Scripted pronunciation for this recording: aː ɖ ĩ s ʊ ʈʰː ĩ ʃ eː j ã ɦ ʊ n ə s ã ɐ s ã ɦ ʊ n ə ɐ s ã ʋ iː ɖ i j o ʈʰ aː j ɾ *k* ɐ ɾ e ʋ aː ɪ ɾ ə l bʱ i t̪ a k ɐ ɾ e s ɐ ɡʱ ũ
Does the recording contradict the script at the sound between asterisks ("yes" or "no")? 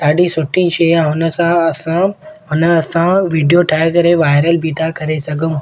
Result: no